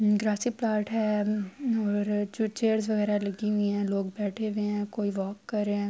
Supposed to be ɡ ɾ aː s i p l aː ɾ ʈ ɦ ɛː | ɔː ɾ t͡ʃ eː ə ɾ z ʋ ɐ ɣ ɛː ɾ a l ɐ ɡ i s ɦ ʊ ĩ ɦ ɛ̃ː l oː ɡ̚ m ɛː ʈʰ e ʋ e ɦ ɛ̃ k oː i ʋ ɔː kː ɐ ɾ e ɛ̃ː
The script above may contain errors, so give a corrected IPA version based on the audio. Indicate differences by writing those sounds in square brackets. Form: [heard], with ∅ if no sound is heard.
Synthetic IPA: ɡ ɾ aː s i p l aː ɾ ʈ ɦ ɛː | ɔː ɾ t͡ʃ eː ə ɾ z ʋ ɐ ɣ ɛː ɾ a l ɐ ɡ i [∅] ɦ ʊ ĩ ɦ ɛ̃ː l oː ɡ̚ [b] ɛː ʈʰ e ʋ e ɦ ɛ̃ k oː i ʋ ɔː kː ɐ ɾ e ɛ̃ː